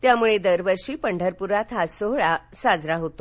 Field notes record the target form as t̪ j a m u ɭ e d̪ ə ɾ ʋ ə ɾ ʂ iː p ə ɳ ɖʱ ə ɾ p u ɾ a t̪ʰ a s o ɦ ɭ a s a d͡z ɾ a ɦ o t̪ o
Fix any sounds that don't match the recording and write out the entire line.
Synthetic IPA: t̪ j a m u ɭ e d̪ ə ɾ ʋ ə ɾ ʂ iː p ə ɳ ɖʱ ə ɾ p u ɾ a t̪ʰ a s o ɦ ɭ a s a d͡z ɾ a ɦ o t̪ o